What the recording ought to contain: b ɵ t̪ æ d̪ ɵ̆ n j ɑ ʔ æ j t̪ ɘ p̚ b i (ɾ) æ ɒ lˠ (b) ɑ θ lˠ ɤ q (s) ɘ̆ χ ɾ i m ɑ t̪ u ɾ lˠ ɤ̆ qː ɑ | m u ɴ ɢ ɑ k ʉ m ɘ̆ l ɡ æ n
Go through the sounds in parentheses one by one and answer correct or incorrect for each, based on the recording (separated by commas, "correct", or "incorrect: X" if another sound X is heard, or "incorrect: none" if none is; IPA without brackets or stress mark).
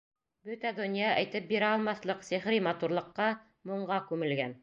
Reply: correct, incorrect: m, correct